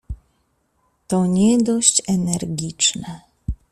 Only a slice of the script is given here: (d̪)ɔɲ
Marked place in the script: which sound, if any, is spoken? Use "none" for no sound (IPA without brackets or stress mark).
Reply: t̪